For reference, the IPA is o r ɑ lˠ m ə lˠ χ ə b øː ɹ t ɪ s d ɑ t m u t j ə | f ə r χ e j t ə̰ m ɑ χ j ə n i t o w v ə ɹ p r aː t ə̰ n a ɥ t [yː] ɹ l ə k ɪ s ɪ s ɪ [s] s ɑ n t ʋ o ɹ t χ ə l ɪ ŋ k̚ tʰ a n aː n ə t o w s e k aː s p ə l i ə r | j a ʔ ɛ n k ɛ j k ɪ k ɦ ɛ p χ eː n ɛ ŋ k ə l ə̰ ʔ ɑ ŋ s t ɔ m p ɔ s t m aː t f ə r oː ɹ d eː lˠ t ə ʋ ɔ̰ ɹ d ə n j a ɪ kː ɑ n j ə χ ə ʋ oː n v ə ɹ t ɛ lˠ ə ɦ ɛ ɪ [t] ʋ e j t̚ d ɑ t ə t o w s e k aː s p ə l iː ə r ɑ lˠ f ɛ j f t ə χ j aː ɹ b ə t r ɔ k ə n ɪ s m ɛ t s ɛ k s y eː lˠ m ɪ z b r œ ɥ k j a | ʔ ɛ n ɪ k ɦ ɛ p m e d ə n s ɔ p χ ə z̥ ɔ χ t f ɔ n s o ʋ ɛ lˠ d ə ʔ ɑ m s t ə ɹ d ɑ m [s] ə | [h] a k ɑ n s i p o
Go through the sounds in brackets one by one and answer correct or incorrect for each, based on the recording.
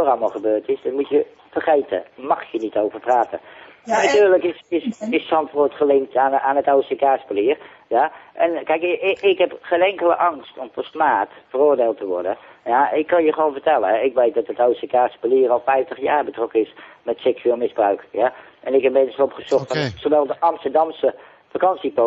correct, correct, incorrect: k, correct, incorrect: f

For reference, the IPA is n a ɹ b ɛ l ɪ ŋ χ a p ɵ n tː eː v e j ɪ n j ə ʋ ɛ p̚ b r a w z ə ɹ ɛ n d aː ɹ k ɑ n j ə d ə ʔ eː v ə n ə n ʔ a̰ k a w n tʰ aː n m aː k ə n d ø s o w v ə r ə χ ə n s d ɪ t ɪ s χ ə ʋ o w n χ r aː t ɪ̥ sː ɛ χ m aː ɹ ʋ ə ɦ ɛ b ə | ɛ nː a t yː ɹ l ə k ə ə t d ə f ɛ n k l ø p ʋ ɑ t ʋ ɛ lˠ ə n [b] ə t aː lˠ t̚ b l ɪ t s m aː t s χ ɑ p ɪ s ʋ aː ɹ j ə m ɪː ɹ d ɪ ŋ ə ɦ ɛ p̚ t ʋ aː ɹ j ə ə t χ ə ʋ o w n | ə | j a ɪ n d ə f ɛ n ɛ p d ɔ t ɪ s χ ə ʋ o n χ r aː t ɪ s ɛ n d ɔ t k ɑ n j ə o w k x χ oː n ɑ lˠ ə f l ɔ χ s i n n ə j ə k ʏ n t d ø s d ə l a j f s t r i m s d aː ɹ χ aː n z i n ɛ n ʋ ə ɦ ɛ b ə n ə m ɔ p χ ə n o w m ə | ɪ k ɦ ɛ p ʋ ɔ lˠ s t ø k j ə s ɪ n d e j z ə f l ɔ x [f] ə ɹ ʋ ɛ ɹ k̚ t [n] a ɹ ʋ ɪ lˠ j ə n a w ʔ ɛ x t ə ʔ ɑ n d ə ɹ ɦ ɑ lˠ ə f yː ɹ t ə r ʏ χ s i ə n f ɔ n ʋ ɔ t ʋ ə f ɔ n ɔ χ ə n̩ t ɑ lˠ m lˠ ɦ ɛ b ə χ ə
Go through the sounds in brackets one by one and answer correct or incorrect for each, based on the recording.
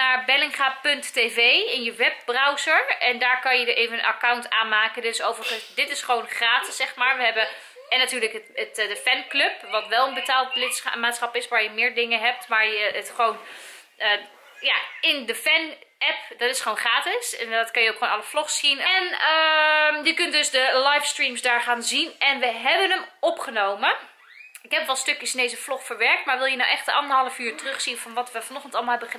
correct, correct, incorrect: m

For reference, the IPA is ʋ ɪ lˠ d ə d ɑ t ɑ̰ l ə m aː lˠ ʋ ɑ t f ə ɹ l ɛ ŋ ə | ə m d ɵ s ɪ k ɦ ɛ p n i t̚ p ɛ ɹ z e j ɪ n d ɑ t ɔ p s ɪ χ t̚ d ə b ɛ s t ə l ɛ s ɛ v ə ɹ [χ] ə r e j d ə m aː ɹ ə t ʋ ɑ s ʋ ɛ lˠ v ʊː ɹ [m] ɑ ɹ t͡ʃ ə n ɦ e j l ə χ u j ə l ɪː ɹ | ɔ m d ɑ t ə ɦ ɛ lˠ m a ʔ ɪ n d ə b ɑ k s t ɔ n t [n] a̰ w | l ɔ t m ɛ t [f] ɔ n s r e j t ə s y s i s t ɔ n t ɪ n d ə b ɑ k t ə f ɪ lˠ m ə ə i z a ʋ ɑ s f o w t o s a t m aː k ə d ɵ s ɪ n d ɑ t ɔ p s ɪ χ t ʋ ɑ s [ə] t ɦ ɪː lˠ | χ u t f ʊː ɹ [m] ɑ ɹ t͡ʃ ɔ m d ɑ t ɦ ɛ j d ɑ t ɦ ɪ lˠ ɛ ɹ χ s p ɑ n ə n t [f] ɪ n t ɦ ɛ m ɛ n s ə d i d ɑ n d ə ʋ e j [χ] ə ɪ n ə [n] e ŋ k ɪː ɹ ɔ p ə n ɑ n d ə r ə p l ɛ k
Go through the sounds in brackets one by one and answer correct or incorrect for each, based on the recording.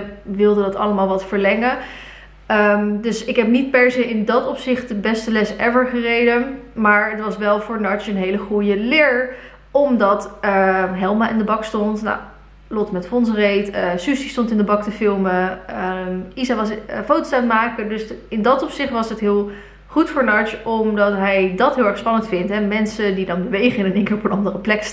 correct, incorrect: n, correct, correct, correct, incorrect: n, correct, correct, correct

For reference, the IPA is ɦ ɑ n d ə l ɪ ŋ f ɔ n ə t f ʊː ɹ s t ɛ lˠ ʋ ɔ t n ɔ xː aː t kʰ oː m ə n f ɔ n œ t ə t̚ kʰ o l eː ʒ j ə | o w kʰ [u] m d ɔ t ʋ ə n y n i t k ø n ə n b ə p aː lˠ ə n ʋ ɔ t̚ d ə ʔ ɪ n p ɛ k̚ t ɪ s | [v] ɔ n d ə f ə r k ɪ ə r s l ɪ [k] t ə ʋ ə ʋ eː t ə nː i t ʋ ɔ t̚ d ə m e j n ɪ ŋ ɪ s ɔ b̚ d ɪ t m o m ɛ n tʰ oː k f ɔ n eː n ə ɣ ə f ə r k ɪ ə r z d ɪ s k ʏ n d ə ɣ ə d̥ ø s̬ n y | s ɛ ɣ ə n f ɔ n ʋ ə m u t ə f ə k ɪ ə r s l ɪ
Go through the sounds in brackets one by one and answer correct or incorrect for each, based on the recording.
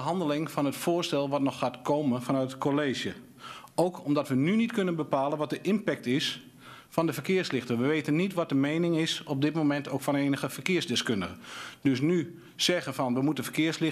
incorrect: ɔ, incorrect: f, incorrect: x

